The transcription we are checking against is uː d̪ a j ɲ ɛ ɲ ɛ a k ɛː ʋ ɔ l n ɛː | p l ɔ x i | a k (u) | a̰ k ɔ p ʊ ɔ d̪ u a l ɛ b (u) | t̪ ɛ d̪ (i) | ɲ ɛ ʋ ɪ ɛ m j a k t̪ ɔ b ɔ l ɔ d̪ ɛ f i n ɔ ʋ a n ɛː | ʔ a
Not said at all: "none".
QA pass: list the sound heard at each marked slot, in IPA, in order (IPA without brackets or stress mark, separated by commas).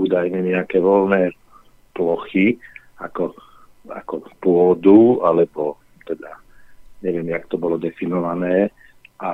ɔ, ɔ, a